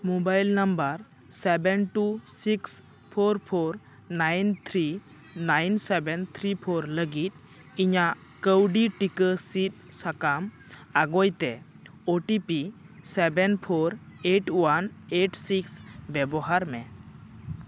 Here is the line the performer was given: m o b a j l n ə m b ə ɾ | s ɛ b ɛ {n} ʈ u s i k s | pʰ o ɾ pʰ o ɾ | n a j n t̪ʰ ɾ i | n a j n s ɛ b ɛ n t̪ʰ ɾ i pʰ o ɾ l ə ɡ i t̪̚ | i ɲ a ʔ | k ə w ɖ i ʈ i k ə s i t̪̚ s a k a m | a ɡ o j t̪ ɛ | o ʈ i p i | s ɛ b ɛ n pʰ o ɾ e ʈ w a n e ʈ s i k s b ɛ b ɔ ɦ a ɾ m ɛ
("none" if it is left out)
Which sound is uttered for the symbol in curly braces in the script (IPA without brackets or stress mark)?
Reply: n